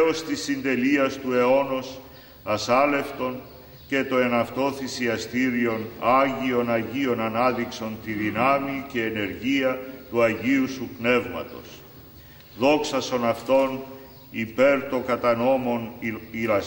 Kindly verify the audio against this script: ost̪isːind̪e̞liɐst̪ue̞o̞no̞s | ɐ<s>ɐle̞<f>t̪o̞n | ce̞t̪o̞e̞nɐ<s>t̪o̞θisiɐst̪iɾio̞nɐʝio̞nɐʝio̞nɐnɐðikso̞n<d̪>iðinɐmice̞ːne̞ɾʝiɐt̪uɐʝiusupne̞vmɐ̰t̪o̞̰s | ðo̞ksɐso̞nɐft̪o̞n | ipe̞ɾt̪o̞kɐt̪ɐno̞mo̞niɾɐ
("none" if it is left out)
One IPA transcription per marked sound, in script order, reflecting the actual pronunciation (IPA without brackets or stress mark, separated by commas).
s, f, f, t̪